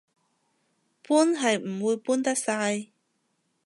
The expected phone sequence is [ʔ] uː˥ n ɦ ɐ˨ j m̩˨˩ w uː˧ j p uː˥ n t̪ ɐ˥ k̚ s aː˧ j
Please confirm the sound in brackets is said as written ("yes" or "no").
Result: no